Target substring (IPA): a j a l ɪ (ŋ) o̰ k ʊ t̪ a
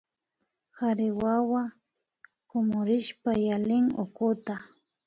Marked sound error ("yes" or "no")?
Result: no